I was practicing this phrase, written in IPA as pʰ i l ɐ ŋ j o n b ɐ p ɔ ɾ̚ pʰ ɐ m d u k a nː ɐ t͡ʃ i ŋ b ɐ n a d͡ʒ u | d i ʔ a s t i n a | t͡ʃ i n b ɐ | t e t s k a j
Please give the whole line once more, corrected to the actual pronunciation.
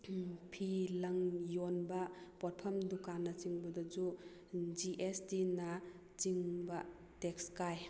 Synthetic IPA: pʰ i l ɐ ŋ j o n b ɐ p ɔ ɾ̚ pʰ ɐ m d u k a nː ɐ t͡ʃ i ŋ b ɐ d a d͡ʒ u | d͡ʒ i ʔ e s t i n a | t͡ʃ i ŋ b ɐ | t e k s k a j